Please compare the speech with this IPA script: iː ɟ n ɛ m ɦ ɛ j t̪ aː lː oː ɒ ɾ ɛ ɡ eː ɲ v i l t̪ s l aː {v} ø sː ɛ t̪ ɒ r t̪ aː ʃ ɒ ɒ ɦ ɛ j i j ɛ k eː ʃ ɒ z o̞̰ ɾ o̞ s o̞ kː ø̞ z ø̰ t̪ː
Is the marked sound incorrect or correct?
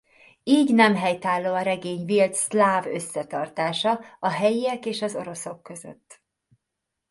correct